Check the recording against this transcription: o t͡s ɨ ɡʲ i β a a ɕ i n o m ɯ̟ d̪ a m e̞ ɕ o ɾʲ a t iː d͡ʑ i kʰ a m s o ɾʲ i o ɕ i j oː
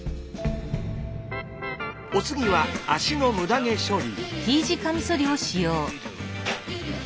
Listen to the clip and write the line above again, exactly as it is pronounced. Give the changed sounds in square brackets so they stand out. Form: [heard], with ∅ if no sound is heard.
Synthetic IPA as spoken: o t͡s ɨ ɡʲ i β a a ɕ i n o m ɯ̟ d̪ a [ŋ] e̞ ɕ o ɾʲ [i] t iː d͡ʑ i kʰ a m s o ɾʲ i o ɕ i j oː